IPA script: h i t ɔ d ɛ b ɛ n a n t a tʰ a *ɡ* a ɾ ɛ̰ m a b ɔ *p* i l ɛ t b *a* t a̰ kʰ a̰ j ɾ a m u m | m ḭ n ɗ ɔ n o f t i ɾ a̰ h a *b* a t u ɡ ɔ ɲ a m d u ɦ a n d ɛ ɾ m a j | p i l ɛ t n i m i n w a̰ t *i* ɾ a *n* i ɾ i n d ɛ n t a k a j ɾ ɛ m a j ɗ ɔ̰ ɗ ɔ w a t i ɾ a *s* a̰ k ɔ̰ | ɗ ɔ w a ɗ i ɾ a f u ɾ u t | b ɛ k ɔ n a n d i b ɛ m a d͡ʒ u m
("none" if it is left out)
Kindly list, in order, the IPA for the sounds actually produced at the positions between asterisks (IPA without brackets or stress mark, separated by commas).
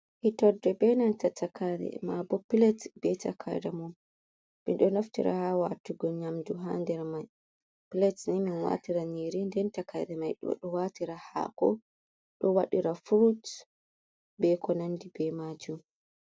k, p, ɛ, w, i, n, h